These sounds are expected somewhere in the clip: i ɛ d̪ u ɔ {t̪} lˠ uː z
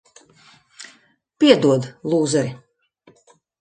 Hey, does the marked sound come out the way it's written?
no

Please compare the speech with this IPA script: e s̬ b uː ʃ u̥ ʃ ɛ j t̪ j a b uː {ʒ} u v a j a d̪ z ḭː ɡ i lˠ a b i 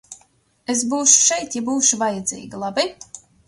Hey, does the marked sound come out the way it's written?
no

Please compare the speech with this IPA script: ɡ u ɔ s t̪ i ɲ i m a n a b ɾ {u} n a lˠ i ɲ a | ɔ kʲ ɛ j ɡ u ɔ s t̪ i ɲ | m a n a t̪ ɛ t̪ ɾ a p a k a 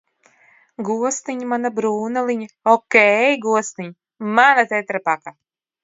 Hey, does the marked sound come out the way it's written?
no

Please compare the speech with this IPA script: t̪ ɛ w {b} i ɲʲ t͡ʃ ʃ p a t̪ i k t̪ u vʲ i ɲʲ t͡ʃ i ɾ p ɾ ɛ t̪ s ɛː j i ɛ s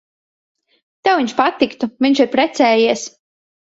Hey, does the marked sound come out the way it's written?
no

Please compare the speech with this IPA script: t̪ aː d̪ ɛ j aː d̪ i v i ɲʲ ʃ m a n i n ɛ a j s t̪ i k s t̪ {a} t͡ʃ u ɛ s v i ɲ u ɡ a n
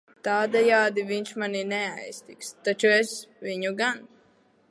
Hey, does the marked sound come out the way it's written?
yes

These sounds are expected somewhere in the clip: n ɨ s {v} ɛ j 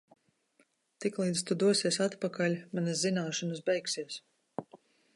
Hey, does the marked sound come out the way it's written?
no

